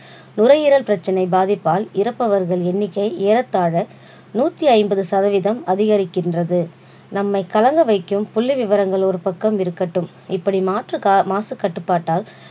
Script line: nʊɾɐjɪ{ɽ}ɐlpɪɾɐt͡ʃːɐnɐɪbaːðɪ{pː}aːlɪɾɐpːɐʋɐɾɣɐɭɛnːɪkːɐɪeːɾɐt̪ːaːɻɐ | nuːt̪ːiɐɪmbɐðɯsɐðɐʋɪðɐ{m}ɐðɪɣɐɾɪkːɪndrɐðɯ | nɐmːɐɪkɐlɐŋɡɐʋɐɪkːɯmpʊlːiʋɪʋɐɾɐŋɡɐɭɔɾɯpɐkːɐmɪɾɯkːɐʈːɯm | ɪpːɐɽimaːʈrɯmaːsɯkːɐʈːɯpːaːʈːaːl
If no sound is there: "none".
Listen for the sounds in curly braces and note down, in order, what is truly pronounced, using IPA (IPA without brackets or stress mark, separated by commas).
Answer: ɾ, pː, m